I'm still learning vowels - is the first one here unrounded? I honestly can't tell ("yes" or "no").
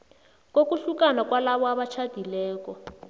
no